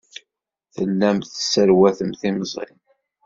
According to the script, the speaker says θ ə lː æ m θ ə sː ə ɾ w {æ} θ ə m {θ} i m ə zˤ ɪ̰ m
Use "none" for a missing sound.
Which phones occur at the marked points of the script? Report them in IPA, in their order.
æ, θ

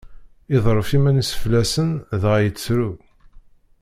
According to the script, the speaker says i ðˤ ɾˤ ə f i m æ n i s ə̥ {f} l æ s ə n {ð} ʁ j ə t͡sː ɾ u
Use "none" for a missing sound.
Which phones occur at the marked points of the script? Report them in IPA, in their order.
f, ð

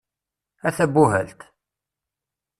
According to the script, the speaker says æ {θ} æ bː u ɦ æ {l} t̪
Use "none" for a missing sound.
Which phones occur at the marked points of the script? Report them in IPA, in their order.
θ, l

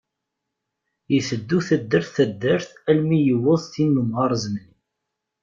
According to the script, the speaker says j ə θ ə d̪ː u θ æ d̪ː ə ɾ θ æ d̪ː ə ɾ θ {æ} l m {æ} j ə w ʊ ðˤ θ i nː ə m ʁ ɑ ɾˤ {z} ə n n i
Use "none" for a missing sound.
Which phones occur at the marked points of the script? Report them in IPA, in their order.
æ, i, z

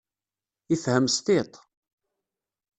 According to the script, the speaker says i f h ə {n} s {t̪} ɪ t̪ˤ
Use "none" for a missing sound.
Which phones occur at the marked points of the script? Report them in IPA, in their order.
m, t̪

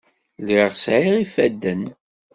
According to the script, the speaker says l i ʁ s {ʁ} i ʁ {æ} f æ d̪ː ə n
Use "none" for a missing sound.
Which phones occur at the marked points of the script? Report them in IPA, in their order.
ʕ, i

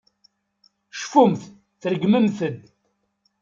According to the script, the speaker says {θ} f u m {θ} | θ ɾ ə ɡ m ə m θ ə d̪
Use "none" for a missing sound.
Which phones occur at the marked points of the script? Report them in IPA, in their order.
ʃ, θ

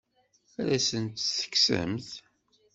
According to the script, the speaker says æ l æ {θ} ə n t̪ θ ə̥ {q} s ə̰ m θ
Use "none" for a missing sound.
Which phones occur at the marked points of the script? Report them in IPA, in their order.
s, k

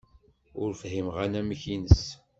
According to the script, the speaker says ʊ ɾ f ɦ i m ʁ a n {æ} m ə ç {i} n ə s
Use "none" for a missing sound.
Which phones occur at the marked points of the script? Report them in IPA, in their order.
æ, i

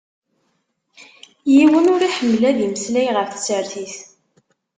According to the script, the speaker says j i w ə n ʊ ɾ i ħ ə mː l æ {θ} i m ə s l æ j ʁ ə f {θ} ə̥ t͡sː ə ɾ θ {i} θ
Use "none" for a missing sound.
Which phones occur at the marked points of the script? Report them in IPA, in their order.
ð, θ, i

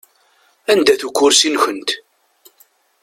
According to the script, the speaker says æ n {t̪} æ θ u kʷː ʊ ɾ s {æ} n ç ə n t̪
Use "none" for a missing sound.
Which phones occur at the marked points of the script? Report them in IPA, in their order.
d̪, i

